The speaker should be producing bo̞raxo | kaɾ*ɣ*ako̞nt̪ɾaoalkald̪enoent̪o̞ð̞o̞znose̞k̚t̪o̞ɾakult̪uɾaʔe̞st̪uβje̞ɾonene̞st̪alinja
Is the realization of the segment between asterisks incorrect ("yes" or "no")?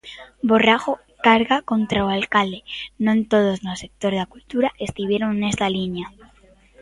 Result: no